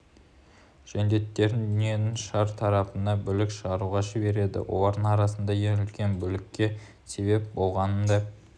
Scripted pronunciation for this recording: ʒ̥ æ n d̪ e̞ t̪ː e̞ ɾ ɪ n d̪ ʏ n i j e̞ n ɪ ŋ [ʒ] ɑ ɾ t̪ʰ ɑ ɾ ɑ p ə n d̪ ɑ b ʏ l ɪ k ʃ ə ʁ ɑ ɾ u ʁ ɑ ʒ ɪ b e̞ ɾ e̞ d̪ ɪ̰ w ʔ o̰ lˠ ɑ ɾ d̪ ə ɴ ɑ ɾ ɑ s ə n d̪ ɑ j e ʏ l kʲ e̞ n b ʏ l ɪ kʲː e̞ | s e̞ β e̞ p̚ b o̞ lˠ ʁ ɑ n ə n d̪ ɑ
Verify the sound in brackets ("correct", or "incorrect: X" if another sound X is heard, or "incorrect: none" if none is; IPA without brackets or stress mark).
incorrect: ʃ